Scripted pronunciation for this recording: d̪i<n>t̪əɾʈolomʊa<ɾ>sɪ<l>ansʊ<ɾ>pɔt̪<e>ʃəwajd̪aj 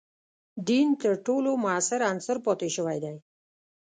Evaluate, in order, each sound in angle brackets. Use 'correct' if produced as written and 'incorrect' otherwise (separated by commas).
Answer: correct, incorrect, incorrect, correct, correct